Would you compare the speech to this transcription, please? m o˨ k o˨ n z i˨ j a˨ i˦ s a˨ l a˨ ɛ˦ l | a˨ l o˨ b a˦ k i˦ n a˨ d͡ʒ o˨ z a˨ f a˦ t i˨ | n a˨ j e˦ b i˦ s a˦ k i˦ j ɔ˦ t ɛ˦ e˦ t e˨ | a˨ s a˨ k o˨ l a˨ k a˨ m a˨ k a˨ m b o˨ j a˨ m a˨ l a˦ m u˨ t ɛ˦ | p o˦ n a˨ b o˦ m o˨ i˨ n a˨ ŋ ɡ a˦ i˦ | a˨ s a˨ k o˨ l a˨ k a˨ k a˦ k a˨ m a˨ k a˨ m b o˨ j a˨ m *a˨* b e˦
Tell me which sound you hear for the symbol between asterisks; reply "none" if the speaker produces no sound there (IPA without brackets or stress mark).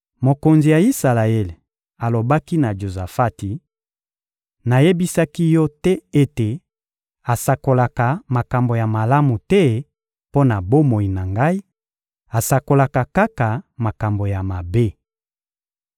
a˨